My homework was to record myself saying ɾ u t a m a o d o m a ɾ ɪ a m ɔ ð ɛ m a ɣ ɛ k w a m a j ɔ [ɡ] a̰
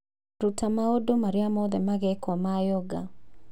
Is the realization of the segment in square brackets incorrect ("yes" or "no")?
no